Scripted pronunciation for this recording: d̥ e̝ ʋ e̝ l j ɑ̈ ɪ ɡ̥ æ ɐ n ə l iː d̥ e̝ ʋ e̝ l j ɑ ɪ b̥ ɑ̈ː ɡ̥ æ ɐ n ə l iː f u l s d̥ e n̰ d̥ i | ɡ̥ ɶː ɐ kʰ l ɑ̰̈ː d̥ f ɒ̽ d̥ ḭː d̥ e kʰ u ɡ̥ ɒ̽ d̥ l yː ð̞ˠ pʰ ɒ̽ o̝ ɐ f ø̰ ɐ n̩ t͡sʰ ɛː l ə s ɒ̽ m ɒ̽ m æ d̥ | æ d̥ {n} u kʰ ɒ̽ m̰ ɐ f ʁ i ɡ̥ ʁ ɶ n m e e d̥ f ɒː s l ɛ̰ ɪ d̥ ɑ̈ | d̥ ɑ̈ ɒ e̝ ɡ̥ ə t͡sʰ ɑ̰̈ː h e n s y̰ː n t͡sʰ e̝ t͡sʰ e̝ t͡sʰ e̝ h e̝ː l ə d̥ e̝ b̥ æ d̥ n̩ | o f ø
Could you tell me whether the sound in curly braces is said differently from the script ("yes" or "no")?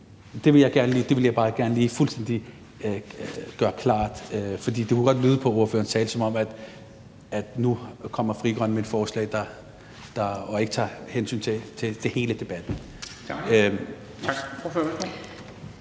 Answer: no